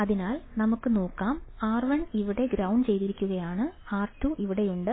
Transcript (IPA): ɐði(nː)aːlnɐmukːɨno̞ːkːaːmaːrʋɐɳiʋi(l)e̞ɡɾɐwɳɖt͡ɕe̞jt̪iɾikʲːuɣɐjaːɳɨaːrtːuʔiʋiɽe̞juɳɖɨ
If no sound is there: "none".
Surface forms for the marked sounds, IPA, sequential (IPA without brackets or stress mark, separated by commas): n, ɽ